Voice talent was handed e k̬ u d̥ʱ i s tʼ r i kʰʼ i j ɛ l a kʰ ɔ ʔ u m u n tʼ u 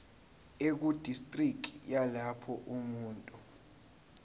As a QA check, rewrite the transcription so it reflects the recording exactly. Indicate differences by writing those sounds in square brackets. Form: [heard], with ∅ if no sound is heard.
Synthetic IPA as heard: e k̬ u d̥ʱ i s tʼ r i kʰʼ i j [a] l a [pʰ] ɔ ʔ u m [uː] n tʼ u